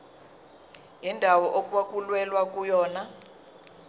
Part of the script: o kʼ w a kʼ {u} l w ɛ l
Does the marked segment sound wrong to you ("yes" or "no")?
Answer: no